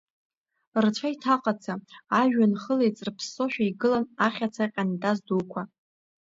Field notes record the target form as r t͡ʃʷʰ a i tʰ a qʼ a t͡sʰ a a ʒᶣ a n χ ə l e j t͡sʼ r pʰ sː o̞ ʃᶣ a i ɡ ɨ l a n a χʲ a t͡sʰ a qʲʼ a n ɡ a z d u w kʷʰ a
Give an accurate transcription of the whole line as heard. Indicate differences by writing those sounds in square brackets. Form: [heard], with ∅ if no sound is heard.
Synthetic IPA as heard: r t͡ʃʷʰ a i tʰ a qʼ a t͡sʰ a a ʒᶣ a n χ ə l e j t͡sʼ r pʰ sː o̞ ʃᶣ a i ɡ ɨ l a n a χʲ a t͡sʰ a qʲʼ a n [d] a z d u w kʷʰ a